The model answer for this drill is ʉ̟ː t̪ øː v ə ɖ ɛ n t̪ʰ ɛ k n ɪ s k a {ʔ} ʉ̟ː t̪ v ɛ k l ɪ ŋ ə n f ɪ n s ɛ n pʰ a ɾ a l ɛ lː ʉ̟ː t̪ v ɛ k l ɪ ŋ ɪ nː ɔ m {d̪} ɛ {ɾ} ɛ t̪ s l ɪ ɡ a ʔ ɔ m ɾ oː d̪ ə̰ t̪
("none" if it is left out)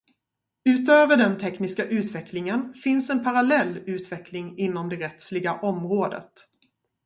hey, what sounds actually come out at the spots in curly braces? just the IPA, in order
ʔ, d̪, ɾ

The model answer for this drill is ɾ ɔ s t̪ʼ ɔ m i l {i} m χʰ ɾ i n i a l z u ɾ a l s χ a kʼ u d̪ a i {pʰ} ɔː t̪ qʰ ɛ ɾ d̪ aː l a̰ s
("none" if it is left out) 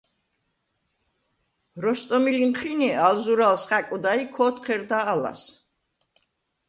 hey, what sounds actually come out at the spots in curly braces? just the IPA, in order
i, kʰ

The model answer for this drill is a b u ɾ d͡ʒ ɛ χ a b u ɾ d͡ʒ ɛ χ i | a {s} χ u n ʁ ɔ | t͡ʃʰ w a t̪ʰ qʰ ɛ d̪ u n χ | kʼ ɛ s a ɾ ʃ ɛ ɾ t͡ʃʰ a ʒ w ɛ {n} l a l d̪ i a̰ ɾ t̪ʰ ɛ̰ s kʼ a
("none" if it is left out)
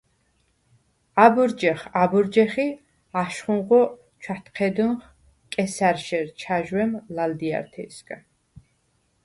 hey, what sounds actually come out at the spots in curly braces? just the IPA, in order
ʃ, m

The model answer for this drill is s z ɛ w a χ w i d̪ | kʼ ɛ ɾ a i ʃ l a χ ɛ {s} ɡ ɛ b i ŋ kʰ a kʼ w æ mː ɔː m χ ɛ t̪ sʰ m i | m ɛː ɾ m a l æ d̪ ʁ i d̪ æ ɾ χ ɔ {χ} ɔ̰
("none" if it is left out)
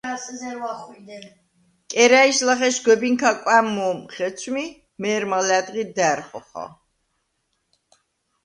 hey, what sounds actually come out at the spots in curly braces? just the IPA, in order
ʃ, χ

